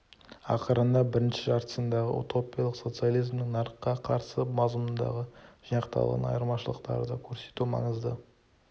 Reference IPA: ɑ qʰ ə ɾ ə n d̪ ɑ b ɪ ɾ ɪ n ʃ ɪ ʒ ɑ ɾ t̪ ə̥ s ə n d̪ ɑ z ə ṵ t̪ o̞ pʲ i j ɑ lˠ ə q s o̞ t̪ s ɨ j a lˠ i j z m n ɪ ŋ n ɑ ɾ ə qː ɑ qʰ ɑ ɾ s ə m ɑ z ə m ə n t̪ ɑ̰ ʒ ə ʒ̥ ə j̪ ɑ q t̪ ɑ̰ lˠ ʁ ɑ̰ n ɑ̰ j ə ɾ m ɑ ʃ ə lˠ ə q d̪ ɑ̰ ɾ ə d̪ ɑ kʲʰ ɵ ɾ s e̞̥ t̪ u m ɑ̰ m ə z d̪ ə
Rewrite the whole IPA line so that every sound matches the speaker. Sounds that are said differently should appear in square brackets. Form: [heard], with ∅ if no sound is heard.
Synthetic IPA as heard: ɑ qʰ ə ɾ ə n d̪ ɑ b ɪ ɾ ɪ n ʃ ɪ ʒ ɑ ɾ t̪ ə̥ s ə n d̪ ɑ [ʁ] ə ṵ t̪ o̞ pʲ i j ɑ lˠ ə q s o̞ t̪ s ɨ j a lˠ i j z m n ɪ ŋ n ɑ ɾ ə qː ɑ qʰ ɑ ɾ s ə m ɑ z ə m ə n [d̪] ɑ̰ [ʁ] ə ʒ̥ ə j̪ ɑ q t̪ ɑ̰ lˠ ʁ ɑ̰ n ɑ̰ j ə ɾ m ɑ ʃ ə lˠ ə q [t̪] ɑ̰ ɾ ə d̪ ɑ kʲʰ ɵ ɾ s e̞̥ t̪ u m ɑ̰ [ɴ] ə z d̪ ə

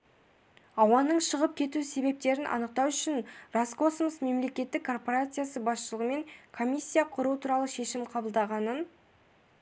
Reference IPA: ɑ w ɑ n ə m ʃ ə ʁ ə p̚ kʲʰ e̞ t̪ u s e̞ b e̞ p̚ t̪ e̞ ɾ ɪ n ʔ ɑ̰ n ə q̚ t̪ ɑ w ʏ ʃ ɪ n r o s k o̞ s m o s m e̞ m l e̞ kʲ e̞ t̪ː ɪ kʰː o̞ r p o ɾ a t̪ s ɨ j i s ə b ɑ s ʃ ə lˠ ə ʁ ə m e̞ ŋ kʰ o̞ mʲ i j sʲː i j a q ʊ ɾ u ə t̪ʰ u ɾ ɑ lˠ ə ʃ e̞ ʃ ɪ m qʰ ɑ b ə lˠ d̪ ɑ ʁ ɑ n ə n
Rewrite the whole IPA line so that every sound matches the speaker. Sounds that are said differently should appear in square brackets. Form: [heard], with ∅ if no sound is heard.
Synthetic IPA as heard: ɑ w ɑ n ə [ɴ] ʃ ə ʁ ə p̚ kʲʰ e̞ t̪ u s e̞ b e̞ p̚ t̪ e̞ ɾ ɪ n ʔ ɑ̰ n ə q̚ t̪ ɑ w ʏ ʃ ɪ n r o s k o̞ s m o s m e̞ m l e̞ kʲ e̞ t̪ː ɪ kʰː o̞ r p o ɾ a t̪ s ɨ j [a] s ə b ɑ s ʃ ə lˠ ə ʁ ə m e̞ ŋ kʰ o̞ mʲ i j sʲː i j a [qʰ] ʊ ɾ u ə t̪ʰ u ɾ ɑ lˠ ə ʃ e̞ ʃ ɪ m qʰ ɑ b ə lˠ d̪ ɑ ʁ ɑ n ə n

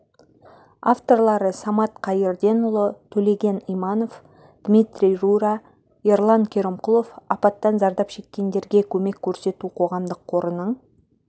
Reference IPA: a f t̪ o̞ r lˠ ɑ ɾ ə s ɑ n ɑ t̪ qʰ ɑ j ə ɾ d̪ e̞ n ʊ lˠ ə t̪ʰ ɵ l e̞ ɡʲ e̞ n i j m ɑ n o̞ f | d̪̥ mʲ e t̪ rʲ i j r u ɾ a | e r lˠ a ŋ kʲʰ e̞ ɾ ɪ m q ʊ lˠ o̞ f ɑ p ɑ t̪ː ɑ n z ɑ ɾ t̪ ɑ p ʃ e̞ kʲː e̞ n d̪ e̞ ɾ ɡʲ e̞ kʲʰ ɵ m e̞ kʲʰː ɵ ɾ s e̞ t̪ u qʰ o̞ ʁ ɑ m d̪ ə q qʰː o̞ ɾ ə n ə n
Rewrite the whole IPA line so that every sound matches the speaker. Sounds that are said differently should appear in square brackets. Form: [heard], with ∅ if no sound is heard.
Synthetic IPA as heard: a f t̪ o̞ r lˠ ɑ ɾ ə s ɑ [m] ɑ t̪ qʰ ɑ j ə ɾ d̪ e̞ n ʊ lˠ ə t̪ʰ ɵ l e̞ ɡʲ e̞ n i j m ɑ n o̞ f | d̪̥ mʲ [i] t̪ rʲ i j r u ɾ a | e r lˠ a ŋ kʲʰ e̞ ɾ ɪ m q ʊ lˠ o̞ f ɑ p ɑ t̪ː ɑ n z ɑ ɾ [d̪] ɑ p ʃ e̞ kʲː e̞ n d̪ e̞ ɾ ɡʲ e̞ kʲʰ ɵ m e̞ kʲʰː ɵ ɾ s e̞ t̪ u qʰ o̞ ʁ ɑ m d̪ ə q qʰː o̞ ɾ ə n ə [ɴ]

